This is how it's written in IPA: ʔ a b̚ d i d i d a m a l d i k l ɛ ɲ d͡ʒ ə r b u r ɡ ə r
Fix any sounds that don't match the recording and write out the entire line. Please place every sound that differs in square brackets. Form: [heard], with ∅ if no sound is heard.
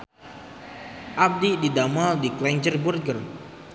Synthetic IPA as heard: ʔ a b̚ d i d i d a m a l d i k l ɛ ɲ d͡ʒ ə r b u r ɡ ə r

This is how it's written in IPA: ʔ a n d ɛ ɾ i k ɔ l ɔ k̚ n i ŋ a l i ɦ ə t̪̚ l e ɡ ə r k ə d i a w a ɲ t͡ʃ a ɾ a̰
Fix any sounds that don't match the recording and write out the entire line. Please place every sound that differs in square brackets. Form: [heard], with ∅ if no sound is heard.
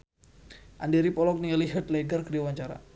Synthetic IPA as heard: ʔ a n d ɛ ɾ i [p] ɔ l ɔ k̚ n i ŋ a l i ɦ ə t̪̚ l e ɡ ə r k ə d i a w a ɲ t͡ʃ a ɾ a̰

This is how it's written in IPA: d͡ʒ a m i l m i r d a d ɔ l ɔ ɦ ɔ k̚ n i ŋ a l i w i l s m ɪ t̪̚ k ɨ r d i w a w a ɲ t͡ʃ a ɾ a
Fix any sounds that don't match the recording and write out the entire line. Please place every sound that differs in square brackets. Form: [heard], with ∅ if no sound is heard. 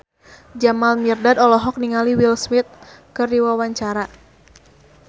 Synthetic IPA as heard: d͡ʒ a m [a] l m i r d a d ɔ l ɔ ɦ ɔ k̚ n i ŋ a l i w i l s m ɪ t̪̚ k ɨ r d i w a w a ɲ t͡ʃ a ɾ a

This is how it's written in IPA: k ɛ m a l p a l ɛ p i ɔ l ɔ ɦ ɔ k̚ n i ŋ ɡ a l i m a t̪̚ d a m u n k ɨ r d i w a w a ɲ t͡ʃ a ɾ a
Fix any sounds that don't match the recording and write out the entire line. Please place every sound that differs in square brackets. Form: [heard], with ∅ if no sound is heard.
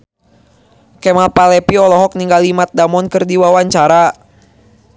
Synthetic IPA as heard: k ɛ m a l p a l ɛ p i ɔ l ɔ ɦ ɔ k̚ n i ŋ ɡ a l i m a t̪̚ d a m [ɔ] n k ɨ r d i w a w a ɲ t͡ʃ a ɾ a

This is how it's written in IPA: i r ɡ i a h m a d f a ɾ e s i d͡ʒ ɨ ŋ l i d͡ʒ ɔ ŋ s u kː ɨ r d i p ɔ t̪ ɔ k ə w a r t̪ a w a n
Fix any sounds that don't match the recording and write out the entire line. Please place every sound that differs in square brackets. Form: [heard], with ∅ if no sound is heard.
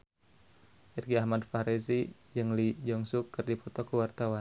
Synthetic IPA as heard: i r ɡ i a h m a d f a ɾ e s i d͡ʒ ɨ ŋ l i d͡ʒ ɔ ŋ s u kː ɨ r d i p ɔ t̪ ɔ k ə w a r t̪ a w a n

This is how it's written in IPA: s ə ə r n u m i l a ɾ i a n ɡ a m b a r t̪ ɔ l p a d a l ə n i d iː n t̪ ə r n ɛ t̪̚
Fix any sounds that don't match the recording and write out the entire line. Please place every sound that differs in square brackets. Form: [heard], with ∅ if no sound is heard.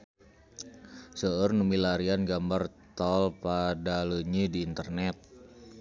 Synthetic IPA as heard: s ə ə r n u m i l a ɾ i a n ɡ a m b a r t̪ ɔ l p a d a l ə [ɲ] i d iː n t̪ ə r n ɛ t̪̚

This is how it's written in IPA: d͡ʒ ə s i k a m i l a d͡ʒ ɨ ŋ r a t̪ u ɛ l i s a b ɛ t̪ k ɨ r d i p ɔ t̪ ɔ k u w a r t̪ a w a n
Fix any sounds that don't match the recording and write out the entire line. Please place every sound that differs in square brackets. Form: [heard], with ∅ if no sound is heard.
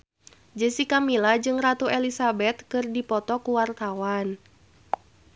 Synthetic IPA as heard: d͡ʒ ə s i k a m i l a d͡ʒ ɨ ŋ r a t̪ u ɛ l i s a b ɛ t̪ k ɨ r d i p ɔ t̪ ɔ k u w a r t̪ a w a n

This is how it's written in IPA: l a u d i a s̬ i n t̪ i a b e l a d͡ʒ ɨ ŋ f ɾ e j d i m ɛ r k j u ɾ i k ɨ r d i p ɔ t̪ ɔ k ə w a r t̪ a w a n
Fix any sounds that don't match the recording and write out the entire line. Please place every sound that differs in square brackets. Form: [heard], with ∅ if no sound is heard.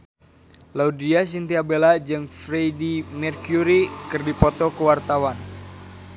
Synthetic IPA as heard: l a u d i a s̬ i n t̪ i a b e l a d͡ʒ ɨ ŋ f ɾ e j d i m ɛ r k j u ɾ i k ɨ r d i p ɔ t̪ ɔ k ə w a r t̪ a w a n

